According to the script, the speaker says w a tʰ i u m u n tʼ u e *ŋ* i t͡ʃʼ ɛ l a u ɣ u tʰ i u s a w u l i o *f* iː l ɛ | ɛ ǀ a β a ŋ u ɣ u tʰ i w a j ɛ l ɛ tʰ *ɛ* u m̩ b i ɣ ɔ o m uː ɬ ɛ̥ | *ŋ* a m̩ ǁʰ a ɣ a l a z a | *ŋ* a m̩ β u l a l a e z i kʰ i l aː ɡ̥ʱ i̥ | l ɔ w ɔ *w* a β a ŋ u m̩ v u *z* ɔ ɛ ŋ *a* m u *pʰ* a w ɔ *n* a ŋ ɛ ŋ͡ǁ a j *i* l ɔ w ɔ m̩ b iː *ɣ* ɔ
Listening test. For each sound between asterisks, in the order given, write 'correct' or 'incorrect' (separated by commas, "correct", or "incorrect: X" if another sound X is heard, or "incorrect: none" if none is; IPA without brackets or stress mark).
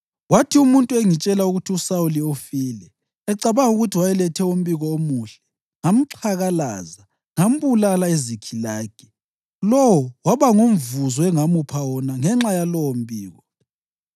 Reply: correct, correct, correct, correct, correct, correct, correct, correct, correct, correct, incorrect: a, correct